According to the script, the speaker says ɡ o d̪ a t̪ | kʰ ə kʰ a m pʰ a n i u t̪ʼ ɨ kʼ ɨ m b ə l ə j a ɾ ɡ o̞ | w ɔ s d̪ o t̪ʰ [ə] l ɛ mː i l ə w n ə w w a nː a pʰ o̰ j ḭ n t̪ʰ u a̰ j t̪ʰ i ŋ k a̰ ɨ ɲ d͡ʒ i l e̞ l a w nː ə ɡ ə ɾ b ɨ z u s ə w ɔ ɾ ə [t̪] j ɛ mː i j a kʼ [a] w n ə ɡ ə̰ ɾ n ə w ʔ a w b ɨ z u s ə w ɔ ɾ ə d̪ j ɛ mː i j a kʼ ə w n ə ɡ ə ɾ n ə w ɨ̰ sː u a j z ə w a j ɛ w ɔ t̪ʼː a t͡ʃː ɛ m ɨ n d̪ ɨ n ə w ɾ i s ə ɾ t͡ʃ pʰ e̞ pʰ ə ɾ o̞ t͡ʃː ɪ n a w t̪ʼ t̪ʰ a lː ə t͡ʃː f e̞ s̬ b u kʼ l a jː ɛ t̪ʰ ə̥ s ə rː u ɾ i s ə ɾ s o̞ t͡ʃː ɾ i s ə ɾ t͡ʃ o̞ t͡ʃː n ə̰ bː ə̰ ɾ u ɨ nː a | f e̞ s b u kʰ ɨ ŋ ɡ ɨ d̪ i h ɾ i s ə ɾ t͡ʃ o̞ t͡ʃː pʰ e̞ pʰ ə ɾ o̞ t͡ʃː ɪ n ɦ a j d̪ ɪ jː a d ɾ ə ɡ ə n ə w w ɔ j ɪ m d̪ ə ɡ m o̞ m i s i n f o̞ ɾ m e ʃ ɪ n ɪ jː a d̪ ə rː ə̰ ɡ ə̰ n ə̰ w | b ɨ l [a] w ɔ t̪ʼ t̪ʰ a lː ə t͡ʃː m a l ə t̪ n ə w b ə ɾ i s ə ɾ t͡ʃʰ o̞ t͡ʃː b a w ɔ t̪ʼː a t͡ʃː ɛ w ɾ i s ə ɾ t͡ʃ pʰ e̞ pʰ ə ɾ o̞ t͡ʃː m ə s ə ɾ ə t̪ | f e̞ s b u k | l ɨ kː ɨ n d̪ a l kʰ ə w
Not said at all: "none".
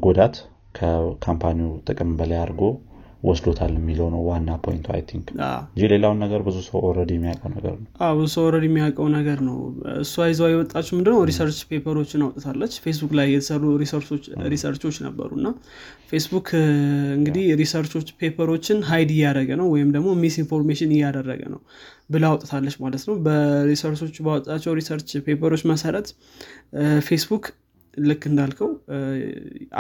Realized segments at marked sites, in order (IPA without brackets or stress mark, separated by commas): a, d̪, ə, a